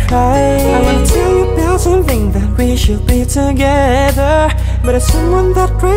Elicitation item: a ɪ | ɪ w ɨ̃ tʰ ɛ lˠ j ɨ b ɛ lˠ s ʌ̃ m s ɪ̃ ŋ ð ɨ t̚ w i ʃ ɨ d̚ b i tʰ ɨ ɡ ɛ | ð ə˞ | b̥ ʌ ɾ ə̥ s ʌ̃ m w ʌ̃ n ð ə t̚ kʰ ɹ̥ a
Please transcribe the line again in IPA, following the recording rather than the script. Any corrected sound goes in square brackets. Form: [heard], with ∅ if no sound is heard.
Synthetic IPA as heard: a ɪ | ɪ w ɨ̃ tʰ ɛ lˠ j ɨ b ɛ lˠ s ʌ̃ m [θ] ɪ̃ ŋ ð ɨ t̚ w i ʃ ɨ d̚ b i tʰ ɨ ɡ ɛ | ð ə˞ | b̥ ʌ ɾ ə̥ s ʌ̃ m w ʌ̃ n ð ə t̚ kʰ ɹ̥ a